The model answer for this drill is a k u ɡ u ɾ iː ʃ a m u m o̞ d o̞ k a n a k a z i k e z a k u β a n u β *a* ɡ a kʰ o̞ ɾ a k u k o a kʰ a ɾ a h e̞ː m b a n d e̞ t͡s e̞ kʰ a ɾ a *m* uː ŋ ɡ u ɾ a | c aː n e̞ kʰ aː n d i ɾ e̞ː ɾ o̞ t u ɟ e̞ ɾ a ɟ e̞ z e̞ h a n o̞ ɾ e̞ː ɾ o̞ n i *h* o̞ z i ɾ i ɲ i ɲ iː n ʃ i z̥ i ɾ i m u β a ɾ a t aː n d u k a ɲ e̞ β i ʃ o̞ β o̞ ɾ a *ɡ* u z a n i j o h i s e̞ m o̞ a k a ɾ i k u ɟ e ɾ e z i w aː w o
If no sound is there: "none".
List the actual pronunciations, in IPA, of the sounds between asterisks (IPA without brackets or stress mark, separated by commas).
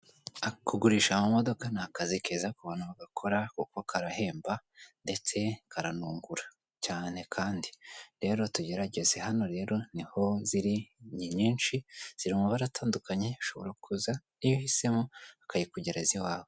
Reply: a, n, h, k